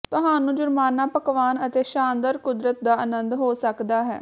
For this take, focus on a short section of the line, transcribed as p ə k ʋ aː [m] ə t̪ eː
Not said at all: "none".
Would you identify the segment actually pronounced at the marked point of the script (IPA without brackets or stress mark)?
n